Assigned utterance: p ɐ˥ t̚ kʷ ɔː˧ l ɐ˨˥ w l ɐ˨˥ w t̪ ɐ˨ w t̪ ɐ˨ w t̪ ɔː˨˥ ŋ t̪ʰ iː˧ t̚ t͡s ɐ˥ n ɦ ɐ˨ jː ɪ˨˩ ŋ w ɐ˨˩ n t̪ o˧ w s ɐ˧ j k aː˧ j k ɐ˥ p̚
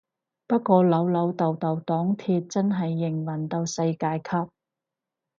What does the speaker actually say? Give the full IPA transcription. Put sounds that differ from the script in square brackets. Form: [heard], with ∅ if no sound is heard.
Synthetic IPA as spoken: p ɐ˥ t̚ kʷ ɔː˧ l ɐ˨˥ w l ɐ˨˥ w t̪ ɐ˨ w t̪ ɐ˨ w t̪ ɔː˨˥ ŋ t̪ʰ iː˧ t̚ t͡s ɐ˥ n ɦ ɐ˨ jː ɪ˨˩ ŋ w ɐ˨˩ n t̪ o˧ w s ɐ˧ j k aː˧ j [kʰ] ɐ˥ p̚